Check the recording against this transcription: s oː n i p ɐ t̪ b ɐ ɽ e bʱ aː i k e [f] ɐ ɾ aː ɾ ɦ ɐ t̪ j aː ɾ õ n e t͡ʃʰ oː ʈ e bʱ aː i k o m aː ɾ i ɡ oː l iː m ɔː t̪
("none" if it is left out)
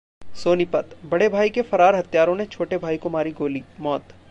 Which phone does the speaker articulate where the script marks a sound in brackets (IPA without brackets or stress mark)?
f